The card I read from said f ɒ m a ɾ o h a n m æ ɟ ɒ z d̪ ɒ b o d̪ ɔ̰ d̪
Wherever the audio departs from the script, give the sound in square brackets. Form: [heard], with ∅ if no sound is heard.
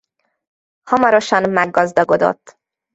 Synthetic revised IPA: [h] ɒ m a ɾ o [ʃ] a n m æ [ɡ] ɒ z d̪ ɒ [ɡ] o d̪ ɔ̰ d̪